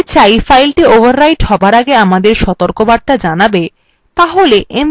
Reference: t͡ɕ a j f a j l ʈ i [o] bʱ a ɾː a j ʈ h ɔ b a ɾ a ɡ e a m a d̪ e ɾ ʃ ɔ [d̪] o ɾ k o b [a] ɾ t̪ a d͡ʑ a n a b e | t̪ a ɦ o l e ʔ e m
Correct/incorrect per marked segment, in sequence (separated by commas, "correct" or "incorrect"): correct, incorrect, correct